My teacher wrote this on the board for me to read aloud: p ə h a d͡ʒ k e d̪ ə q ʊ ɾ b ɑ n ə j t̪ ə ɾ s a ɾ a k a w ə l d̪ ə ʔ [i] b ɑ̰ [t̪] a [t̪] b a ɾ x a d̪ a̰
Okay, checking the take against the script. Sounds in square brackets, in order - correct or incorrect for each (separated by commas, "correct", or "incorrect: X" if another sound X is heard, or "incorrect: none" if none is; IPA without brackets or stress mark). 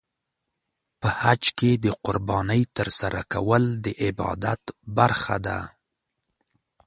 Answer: incorrect: ɪ, incorrect: d̪, correct